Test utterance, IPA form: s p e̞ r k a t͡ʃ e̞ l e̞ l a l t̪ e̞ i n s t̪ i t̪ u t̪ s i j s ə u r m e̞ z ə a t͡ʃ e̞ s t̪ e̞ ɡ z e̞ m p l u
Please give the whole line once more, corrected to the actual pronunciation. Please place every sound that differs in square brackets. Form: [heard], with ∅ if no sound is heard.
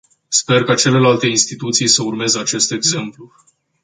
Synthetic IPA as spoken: s p e̞ r k a t͡ʃ e̞ l e̞ l a l t̪ e̞ i n s t̪ i t̪ u t̪ s i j s ə u r m e̞ z ə a t͡ʃ e̞ s t̪ e̞ ɡ z e̞ m p l u